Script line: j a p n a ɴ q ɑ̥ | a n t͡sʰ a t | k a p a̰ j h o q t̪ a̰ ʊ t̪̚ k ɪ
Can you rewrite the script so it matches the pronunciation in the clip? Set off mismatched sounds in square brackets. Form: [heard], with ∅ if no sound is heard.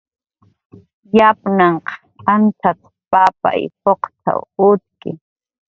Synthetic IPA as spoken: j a p n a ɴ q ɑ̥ | a n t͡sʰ a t | [p] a p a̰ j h o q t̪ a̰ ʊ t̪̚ k ɪ